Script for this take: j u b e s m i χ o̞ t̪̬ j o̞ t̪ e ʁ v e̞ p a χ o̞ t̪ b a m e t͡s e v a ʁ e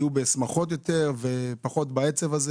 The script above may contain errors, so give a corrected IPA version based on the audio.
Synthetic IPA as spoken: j u b e s m a χ o̞ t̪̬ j o̞ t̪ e ʁ v e̞ p a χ o̞ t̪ b a e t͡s e v a z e